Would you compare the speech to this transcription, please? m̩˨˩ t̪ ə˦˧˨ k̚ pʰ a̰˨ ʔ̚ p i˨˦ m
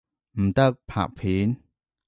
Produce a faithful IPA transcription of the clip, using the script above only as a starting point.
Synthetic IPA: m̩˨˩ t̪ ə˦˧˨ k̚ pʰ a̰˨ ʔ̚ pʰ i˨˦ n

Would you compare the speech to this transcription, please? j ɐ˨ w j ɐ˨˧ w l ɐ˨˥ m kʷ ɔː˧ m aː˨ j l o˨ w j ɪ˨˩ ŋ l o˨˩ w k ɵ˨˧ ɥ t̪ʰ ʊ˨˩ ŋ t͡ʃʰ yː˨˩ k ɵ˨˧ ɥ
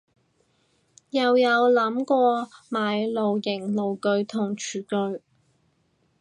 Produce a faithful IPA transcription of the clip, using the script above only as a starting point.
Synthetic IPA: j ɐ˨ w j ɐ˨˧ w l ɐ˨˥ m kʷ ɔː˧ m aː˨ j l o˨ w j ɪ˨˩ ŋ l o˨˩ w k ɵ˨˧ ɥ t̪ʰ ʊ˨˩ ŋ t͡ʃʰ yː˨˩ k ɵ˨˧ ɥ

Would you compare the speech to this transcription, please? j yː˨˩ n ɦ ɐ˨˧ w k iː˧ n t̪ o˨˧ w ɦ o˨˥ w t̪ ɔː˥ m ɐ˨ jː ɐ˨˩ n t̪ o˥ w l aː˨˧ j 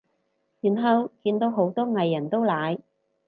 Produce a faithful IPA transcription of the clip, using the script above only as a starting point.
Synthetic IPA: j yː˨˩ n ɦ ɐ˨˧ w k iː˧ n t̪ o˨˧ w ɦ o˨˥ w t̪ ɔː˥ ŋ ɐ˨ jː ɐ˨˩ n t̪ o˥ w l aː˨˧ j

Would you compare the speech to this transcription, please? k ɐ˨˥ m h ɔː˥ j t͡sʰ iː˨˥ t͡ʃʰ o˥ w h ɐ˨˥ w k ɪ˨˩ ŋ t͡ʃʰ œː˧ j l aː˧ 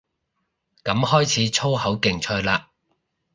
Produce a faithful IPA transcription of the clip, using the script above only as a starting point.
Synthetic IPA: k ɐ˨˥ m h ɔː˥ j t͡sʰ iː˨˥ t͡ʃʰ o˥ w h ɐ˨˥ w k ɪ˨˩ ŋ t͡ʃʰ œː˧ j l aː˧

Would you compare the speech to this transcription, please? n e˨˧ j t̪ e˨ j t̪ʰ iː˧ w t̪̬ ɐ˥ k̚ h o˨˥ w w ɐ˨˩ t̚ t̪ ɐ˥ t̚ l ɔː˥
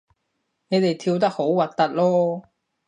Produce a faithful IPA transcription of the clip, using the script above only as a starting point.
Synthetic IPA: n e˨˧ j t̪ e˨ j t̪ʰ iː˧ w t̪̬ ɐ˥ k̚ h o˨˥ w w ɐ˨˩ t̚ t̪ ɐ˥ t̚ l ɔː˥

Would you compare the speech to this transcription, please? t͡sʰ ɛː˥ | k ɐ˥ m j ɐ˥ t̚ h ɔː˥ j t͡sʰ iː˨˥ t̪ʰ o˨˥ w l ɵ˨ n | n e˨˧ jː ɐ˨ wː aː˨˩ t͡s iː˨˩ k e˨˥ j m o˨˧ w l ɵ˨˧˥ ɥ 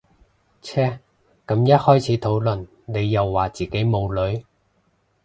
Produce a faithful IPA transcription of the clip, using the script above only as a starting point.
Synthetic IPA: t͡sʰ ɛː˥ | k ɐ˨˥ m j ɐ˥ t̚ h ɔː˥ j t͡sʰ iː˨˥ t̪ʰ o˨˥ w l ɵ˨ n | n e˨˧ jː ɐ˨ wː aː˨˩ t͡s iː˨˩ k e˨˥ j m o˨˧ w l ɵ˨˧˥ ɥ

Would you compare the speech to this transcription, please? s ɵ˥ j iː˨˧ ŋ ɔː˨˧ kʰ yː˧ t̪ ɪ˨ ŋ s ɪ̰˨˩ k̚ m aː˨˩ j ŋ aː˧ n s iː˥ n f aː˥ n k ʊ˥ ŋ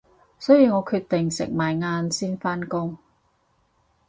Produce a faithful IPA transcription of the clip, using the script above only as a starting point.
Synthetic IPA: s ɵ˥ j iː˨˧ ŋ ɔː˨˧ kʰ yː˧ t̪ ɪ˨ ŋ s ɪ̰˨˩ k̚ m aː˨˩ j ŋ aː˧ n s iː˥ n f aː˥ n k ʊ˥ ŋ

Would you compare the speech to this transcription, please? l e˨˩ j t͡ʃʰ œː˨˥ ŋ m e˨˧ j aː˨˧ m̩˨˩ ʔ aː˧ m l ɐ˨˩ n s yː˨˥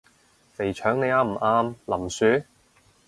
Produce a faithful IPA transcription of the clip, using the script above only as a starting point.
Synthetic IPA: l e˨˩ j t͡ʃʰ œː˨˥ ŋ n e˨˧ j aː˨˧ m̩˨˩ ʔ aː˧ m l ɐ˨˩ m s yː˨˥

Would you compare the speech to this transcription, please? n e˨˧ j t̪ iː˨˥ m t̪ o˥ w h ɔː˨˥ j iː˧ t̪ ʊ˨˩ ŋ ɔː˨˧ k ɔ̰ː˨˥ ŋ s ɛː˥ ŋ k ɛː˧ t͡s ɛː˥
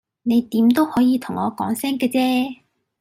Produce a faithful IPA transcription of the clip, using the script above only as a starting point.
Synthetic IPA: n e˨˧ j t̪ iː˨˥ m t̪ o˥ w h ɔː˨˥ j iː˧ t̪ʰ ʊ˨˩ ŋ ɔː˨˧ k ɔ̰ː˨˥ ŋ s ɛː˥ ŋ k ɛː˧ t͡s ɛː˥

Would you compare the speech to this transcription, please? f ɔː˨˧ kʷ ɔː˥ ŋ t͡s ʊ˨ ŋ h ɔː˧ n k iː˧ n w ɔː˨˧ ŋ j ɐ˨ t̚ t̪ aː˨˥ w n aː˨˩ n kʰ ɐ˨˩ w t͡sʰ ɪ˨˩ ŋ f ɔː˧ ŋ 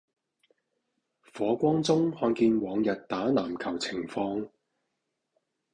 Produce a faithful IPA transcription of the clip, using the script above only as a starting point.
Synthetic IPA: f ɔː˨˧ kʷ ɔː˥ ŋ t͡s ʊ˥ ŋ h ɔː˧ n k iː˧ n w ɔː˨˧ ŋ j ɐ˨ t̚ t̪ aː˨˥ n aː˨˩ m kʰ ɐ˨˩ w t͡sʰ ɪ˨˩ ŋ f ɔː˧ ŋ

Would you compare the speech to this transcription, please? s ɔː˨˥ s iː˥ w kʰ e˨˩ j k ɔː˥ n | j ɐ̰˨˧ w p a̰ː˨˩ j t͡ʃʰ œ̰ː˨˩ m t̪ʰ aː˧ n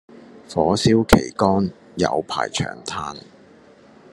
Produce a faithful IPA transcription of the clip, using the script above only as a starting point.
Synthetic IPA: f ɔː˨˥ s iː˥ w kʰ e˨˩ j k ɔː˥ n | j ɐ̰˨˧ w pʰ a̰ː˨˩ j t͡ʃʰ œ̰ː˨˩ ŋ t̪ʰ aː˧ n

